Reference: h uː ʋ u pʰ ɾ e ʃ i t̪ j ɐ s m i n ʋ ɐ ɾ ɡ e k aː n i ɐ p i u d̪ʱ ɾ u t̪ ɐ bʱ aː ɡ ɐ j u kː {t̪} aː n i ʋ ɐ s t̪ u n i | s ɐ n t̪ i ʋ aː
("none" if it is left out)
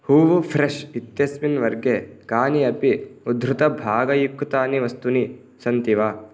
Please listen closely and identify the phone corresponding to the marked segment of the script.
t̪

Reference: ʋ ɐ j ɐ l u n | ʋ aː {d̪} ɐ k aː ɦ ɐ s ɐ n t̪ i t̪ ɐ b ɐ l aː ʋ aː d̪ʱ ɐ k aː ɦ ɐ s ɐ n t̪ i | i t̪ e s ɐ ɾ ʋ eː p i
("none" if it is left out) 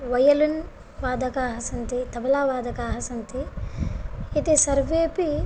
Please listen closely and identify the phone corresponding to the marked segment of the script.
d̪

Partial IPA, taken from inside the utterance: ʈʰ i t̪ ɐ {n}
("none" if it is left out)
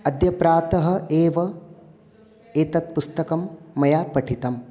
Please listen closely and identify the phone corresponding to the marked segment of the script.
m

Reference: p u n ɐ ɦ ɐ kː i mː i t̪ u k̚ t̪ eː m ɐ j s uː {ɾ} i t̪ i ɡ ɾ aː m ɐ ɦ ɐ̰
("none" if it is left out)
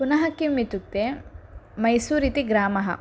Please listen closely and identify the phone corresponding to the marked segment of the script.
ɾ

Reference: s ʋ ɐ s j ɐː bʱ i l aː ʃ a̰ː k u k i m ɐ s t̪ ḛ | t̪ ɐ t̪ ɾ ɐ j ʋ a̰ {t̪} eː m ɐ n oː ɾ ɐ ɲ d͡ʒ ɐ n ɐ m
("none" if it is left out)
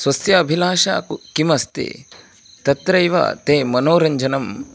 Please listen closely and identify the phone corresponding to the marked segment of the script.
t̪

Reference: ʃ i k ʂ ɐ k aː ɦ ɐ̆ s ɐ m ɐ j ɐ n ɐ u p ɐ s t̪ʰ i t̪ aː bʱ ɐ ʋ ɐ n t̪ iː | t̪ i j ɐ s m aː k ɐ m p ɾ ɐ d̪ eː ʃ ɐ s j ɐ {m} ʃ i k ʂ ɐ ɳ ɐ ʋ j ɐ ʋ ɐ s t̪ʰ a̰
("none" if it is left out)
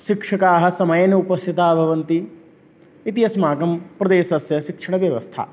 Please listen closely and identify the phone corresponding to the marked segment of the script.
none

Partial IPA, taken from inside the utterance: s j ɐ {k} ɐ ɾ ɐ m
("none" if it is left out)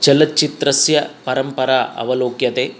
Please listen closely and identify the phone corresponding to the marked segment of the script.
p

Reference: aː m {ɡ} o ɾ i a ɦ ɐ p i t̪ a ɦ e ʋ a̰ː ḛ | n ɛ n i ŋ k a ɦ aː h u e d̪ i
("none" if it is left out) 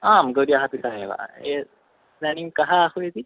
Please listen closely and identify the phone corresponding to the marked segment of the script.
ɡ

